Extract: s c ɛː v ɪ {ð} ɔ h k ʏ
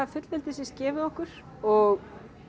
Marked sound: correct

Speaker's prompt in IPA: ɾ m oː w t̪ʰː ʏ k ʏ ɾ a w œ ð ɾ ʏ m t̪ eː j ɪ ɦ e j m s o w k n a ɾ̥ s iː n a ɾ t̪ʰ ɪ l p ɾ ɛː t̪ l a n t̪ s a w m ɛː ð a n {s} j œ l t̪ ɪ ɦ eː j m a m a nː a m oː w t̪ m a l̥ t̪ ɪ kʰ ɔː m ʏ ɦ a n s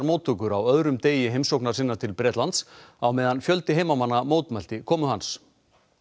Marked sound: incorrect: f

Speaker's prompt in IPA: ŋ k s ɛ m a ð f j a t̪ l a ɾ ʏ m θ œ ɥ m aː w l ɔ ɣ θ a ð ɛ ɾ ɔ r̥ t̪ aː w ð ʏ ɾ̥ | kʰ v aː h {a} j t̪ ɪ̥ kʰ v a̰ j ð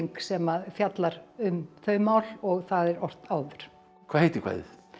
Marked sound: incorrect: e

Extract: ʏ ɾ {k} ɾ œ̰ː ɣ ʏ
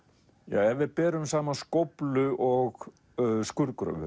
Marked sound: correct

